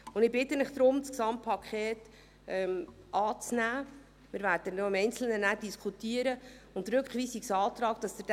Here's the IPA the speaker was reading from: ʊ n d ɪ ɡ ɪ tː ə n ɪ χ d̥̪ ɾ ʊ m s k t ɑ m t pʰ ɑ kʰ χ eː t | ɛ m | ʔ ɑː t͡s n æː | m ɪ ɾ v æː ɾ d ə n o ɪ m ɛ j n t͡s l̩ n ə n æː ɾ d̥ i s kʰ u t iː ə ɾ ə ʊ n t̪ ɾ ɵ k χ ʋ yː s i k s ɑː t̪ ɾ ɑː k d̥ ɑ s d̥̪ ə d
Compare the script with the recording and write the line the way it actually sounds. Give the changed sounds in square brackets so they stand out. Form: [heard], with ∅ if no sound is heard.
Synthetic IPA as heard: ʊ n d ɪ [b] ɪ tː ə n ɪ χ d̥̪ ɾ ʊ m s k [s] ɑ m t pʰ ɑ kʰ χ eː t | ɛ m | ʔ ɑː t͡s n æː | m ɪ ɾ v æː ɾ d ə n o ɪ m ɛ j n t͡s l̩ n ə n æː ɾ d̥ i s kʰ u t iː ə ɾ ə ʊ n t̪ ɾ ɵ k χ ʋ [iː] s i k s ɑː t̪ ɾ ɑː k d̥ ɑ s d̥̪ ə d